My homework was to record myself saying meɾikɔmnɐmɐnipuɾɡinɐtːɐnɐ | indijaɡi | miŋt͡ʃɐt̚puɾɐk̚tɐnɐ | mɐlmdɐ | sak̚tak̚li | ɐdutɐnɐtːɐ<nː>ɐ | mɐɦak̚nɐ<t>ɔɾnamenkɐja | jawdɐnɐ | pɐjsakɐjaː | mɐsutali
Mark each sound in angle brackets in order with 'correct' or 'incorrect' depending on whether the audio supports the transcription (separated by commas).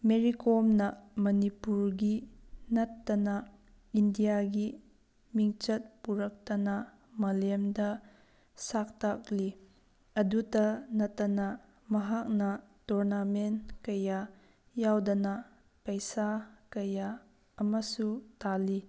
incorrect, correct